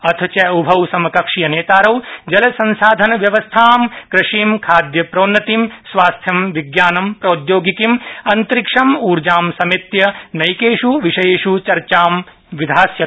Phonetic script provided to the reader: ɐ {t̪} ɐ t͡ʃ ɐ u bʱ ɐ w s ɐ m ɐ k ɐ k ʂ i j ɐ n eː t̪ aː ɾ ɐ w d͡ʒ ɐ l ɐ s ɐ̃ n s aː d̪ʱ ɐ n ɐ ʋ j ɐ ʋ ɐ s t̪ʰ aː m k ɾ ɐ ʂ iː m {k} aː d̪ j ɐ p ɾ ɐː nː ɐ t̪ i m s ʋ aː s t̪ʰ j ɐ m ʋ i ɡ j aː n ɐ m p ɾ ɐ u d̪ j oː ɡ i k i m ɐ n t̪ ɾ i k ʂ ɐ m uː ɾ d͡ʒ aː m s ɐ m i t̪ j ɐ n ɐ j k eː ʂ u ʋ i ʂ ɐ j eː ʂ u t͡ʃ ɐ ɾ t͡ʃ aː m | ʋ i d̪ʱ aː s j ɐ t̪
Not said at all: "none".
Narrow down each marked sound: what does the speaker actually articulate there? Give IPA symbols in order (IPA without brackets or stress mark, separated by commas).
t̪ʰ, kʰ